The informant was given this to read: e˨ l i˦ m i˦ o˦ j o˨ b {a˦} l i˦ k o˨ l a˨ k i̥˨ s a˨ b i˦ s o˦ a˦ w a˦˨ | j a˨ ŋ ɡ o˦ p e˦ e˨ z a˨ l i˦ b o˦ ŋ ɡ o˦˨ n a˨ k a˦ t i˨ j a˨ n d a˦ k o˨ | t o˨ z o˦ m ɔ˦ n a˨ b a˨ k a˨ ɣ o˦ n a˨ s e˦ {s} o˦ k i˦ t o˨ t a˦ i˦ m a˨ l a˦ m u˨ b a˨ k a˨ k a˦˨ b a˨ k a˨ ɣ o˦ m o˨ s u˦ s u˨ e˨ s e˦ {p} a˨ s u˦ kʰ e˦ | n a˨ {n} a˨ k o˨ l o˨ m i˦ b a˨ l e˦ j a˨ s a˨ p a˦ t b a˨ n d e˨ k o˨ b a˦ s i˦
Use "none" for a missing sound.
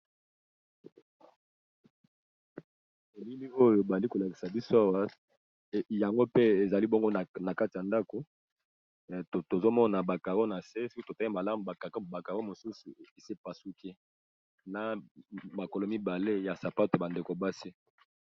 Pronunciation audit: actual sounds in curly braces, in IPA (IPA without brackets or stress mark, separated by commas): a˨, s, p, m